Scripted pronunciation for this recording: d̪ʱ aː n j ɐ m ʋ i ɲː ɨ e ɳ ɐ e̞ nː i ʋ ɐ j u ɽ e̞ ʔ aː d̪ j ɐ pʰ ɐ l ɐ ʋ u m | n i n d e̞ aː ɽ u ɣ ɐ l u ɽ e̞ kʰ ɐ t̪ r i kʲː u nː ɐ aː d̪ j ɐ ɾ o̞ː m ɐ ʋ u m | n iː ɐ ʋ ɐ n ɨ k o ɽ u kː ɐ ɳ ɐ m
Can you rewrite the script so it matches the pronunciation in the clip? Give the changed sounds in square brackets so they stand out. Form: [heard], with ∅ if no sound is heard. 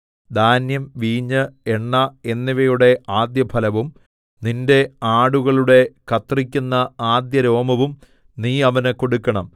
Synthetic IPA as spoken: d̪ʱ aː n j ɐ m ʋ [iː] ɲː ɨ e [ɳː] ɐ e̞ nː i ʋ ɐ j u ɽ e̞ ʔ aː d̪ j ɐ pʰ ɐ l ɐ ʋ u m | n i n d e̞ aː ɽ u ɣ ɐ [ɭ] u ɽ e̞ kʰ ɐ t̪ r i kʲː u nː ɐ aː d̪ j ɐ ɾ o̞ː m ɐ ʋ u m | n iː ɐ ʋ ɐ n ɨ k o ɽ u kː ɐ ɳ ɐ m